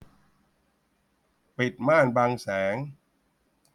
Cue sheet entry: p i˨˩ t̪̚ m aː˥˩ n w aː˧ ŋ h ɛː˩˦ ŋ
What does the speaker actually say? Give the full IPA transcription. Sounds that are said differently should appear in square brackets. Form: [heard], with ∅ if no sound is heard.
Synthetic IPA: p i˨˩ t̪̚ m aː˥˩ n [b] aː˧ ŋ [s] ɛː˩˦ ŋ